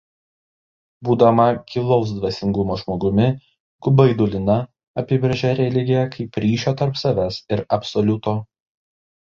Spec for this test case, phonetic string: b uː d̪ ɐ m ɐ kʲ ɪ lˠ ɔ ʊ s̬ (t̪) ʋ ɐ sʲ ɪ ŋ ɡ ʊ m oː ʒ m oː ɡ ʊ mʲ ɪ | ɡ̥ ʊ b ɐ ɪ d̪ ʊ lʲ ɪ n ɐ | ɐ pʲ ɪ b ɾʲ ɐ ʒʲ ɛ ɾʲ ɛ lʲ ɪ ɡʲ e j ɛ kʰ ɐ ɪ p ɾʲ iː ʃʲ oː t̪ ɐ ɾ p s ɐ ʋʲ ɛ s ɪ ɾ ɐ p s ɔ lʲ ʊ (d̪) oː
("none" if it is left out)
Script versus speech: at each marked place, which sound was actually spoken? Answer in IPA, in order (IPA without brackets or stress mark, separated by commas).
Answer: d̪, t̪